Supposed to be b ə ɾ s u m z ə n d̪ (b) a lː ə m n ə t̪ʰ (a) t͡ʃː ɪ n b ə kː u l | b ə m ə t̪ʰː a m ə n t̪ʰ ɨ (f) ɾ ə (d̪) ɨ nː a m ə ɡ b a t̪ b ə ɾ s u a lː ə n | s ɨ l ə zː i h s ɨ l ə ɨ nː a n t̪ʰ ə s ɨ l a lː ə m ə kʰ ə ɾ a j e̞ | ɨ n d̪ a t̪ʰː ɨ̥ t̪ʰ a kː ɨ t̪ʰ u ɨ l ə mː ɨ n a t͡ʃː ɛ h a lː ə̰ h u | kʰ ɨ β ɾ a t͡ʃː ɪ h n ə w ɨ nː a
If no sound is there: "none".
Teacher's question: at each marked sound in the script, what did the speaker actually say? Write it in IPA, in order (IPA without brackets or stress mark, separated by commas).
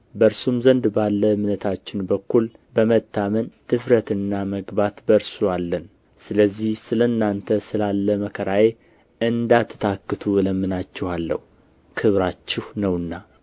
b, a, f, t̪